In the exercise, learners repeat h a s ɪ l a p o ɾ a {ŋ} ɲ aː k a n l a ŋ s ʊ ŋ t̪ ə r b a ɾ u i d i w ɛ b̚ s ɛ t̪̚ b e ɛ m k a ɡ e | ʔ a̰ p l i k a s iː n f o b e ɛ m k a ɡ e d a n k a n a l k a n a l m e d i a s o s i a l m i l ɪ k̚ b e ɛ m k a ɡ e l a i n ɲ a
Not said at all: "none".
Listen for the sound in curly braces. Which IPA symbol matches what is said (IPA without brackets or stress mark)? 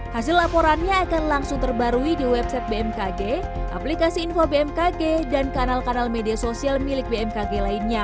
n